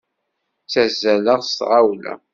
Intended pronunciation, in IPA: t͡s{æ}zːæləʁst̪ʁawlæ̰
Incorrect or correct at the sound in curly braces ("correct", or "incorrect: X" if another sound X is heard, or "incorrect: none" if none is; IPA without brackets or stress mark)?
correct